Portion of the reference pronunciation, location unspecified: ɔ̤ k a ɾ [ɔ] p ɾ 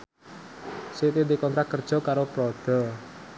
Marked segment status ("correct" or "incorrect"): incorrect